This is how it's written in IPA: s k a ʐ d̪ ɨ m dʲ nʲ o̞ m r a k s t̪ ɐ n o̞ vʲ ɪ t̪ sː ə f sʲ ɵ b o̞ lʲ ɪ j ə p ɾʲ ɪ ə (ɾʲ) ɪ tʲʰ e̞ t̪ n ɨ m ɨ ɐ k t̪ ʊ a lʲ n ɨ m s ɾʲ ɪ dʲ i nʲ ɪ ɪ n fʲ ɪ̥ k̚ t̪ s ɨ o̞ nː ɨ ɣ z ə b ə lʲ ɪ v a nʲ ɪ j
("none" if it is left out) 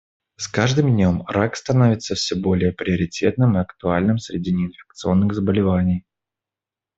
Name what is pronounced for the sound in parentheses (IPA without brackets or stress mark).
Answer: ɾʲ